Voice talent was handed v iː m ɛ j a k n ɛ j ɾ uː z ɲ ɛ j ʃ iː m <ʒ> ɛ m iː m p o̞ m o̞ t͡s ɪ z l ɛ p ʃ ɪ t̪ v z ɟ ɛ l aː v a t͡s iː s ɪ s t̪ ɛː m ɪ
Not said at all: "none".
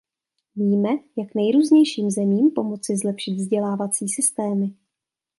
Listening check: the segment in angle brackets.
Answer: z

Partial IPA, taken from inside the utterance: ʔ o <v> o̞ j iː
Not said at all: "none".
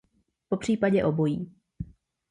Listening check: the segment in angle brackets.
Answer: b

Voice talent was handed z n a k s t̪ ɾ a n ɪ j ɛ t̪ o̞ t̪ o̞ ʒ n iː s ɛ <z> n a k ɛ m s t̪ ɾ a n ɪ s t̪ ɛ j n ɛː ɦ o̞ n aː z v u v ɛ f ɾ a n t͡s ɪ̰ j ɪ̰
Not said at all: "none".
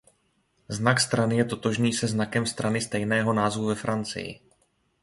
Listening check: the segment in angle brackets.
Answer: z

